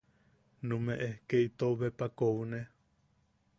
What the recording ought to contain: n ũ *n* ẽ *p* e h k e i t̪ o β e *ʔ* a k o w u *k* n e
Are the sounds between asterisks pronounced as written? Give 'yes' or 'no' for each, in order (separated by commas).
no, no, no, no